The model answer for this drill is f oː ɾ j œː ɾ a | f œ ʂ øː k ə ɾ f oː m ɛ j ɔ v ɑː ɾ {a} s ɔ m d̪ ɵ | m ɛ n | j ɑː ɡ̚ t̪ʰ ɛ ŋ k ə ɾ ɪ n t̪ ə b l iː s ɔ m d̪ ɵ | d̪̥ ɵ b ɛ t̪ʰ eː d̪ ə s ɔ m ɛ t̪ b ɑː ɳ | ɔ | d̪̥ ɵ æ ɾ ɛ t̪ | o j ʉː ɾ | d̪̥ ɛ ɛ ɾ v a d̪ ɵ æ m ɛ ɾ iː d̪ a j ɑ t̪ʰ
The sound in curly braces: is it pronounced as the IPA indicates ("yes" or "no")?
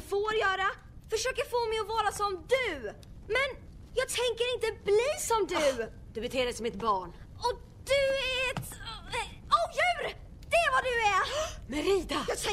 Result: yes